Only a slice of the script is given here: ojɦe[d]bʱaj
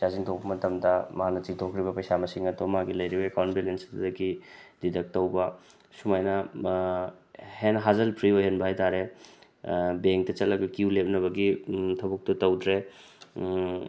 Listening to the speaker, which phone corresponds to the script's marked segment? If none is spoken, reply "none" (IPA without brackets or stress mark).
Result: n